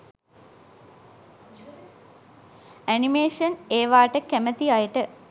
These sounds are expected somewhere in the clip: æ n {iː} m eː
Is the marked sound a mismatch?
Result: yes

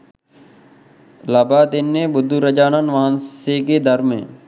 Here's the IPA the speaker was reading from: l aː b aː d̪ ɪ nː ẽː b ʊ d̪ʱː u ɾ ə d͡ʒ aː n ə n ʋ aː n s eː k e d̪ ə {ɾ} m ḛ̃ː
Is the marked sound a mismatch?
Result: no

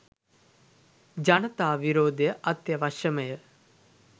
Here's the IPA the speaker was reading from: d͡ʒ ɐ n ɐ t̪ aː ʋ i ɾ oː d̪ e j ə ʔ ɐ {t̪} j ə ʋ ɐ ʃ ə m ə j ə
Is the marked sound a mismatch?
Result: no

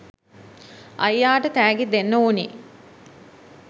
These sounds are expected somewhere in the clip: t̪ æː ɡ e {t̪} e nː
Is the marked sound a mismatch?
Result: yes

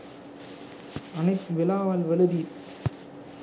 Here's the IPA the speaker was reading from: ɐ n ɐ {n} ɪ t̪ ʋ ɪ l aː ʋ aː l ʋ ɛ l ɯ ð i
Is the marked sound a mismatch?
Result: yes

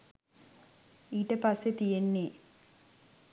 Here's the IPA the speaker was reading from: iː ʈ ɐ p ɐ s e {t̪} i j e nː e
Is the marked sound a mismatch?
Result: no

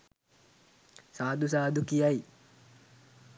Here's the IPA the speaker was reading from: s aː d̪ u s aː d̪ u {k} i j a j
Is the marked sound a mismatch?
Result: no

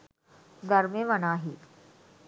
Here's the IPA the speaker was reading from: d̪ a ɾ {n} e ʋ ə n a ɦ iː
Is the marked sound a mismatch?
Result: yes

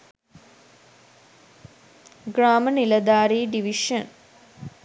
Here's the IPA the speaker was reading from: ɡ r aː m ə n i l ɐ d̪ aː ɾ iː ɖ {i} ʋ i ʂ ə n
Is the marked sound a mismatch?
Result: no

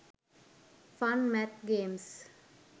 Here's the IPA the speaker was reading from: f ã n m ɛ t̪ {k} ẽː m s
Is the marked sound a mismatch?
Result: yes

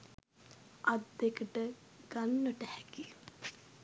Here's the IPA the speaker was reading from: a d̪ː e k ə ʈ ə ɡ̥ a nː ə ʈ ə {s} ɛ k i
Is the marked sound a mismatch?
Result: yes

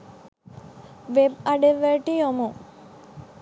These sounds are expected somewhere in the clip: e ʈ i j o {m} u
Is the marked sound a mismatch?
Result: no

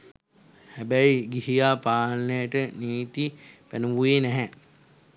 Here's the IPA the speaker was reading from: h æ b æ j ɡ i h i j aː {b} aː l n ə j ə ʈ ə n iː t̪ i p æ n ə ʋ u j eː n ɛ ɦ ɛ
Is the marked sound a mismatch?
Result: yes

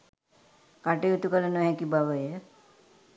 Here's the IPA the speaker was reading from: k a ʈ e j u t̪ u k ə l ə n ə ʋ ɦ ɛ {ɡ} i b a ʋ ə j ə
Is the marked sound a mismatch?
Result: yes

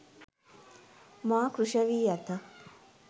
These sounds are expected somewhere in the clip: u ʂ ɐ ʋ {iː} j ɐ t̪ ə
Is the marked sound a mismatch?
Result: no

